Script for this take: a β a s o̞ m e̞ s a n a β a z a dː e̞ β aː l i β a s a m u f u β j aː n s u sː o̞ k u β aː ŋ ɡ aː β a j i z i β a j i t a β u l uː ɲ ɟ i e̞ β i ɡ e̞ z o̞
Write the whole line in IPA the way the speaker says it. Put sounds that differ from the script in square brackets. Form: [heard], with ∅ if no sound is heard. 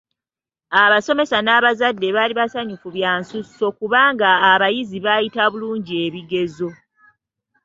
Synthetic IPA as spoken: a β a s o̞ m e̞ s a n a β a z a dː e̞ β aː l i β a s a [ɲ] u f u β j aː n s u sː o̞ k u β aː ŋ ɡ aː β a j i z i β a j i t a β u l uː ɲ ɟ i e̞ β i ɡ e̞ z o̞